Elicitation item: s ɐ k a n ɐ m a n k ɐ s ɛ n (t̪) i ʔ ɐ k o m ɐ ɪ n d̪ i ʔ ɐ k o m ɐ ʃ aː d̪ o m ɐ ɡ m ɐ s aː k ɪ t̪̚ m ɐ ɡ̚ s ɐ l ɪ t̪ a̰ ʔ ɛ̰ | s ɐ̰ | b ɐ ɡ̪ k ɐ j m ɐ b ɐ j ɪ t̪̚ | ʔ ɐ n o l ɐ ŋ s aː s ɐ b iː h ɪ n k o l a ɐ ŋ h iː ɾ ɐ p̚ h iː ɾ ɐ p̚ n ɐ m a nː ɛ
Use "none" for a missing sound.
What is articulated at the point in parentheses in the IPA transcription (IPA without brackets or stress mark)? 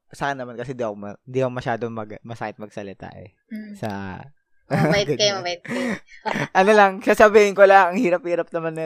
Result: d̪